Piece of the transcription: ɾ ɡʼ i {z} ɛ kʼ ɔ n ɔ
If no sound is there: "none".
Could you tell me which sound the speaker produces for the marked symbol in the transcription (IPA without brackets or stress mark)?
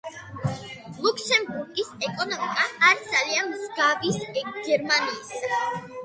s